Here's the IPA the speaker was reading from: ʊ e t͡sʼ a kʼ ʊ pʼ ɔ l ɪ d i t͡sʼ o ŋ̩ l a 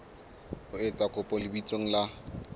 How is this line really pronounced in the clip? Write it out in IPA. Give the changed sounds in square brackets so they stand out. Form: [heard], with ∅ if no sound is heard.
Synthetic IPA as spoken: ʊ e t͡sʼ a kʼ ʊ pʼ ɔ l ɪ [b] i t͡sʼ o ŋ̩ l a